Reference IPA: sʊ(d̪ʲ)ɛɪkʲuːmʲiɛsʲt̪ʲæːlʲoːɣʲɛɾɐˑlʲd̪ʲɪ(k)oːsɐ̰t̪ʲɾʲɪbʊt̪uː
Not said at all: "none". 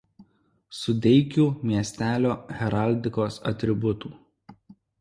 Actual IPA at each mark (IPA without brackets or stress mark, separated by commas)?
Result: d̪ʲ, k